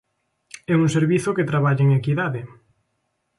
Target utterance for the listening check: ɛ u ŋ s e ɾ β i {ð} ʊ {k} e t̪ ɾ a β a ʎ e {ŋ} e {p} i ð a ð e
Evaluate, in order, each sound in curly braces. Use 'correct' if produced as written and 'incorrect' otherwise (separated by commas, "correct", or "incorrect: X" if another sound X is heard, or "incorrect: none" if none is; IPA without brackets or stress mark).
incorrect: θ, correct, correct, incorrect: k